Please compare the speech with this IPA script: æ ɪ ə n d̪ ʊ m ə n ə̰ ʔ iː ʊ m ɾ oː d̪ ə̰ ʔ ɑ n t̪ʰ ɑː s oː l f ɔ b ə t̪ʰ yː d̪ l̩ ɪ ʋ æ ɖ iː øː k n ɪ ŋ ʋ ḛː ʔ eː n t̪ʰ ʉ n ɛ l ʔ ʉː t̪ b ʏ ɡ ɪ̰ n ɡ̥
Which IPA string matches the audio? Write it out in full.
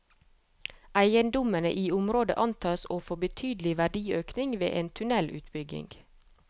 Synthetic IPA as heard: æ ɪ ə n d̪ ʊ m ə n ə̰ ʔ iː ʊ m ɾ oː d̪ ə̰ ʔ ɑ n t̪ʰ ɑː s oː f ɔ b ə t̪ʰ yː d̪ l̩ ɪ ʋ æ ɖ iː øː k n ɪ ŋ ʋ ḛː ʔ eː n t̪ʰ ʉ n ɛ l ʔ ʉː t̪ b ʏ ɡ ɪ̰ ŋ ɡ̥